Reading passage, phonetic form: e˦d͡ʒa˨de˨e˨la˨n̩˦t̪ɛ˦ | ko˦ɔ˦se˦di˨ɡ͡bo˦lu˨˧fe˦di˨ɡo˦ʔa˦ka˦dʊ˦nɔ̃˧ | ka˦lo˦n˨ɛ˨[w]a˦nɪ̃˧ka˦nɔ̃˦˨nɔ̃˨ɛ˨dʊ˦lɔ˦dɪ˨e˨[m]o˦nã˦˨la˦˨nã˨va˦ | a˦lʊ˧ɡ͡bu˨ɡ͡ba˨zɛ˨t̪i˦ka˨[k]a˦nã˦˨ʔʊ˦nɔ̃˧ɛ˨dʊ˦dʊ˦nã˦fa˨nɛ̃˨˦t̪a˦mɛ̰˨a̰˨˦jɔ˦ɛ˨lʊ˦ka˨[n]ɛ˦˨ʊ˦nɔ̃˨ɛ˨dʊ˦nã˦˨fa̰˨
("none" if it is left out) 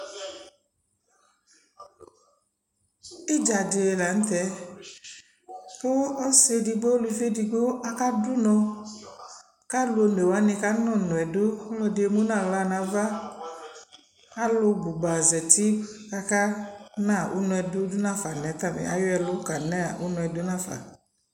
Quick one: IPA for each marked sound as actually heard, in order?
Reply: w, m, k, n

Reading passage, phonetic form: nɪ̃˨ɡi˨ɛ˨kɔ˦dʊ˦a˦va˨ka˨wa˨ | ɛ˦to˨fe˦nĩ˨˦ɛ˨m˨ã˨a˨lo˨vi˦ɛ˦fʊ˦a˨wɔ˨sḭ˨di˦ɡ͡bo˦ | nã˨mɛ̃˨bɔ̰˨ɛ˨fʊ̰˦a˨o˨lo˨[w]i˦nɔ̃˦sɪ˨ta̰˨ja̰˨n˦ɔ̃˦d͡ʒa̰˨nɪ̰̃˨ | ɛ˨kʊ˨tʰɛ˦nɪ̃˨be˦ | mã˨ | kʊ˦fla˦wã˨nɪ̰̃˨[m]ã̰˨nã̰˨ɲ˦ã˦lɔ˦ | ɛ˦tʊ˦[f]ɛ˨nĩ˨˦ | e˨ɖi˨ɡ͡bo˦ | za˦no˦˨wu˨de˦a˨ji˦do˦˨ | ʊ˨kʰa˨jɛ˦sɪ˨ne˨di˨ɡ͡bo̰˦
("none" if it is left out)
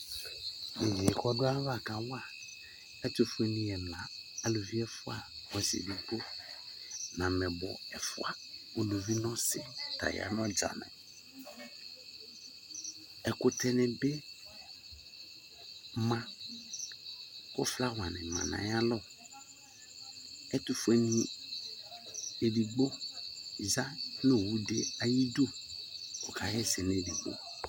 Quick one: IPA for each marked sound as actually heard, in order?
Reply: v, m, f

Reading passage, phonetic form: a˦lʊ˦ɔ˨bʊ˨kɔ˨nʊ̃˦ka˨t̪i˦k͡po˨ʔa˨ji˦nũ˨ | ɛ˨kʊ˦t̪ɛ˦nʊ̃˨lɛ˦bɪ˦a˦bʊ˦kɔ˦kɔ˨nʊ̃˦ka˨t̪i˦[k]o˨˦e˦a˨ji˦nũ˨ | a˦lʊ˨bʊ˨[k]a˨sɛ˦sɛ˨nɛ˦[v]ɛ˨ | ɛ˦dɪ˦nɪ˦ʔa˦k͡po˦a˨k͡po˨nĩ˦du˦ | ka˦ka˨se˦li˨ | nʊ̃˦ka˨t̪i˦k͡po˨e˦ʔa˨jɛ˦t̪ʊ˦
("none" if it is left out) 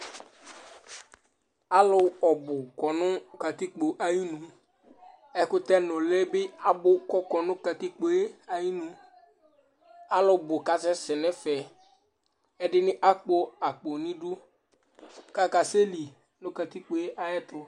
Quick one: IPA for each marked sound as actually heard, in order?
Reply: k͡p, k, f

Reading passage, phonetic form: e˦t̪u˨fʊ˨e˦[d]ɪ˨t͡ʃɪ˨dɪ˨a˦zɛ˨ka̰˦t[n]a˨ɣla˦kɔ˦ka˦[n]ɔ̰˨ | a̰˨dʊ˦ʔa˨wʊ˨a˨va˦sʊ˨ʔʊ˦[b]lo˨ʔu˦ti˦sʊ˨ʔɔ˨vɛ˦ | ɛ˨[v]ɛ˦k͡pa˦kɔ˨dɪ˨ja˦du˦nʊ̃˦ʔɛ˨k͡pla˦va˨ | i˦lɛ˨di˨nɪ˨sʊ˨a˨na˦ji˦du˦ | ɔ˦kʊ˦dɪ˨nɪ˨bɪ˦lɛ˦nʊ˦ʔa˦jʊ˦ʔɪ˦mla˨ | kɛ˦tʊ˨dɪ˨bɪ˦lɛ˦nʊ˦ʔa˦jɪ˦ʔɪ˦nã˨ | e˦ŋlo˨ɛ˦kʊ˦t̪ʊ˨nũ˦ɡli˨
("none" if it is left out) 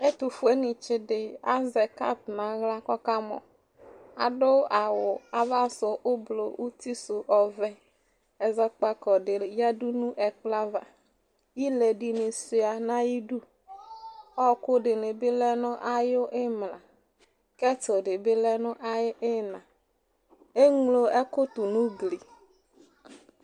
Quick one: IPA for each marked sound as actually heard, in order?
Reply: n, n, m, b, z

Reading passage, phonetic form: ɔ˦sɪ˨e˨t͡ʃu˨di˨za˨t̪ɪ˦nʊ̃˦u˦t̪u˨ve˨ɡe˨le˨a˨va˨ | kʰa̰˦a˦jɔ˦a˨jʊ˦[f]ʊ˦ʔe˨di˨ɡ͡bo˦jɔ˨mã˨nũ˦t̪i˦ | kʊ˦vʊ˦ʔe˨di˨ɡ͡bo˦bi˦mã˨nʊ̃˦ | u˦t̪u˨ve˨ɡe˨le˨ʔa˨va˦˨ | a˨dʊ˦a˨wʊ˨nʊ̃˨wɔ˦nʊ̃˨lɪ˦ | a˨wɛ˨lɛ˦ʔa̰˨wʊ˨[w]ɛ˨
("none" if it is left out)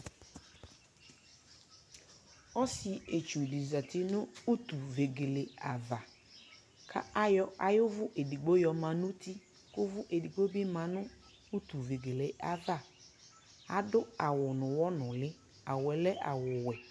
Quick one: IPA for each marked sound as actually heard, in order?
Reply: v, w

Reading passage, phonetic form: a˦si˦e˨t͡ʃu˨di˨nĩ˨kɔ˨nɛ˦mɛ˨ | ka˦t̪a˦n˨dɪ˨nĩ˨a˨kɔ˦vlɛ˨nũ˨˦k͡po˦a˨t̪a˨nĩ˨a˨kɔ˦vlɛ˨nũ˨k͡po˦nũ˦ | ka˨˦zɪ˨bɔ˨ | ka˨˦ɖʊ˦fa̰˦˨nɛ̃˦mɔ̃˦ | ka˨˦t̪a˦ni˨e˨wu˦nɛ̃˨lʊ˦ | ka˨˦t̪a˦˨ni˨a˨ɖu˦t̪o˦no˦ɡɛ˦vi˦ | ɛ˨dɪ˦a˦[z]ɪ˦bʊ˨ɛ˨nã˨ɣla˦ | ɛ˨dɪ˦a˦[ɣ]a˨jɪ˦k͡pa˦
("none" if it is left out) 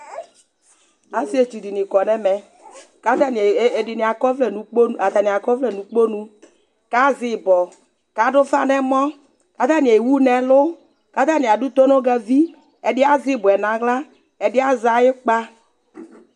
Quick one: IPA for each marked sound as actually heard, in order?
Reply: z, z

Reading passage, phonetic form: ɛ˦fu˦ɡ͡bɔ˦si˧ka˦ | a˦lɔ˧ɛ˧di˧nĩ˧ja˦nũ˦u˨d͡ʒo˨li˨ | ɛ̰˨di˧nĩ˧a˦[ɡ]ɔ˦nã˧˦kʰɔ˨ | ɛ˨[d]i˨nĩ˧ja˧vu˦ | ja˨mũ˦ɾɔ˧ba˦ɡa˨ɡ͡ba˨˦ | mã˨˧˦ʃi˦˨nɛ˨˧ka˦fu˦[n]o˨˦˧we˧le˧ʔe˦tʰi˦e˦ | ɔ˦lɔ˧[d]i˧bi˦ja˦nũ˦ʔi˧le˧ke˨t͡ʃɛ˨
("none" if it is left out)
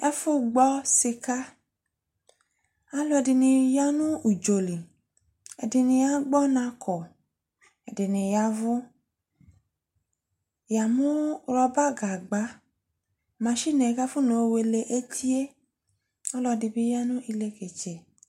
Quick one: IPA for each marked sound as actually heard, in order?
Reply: ɡ͡b, d, n, d

